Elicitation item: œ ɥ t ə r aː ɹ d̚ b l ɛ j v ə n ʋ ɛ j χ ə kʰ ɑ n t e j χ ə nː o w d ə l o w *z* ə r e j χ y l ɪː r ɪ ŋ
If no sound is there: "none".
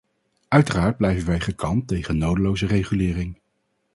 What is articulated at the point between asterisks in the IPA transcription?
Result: z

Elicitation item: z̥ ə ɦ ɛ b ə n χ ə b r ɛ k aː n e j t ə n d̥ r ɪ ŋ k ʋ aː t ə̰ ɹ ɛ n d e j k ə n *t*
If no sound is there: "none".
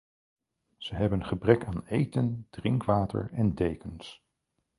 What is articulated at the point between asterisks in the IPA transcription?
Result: s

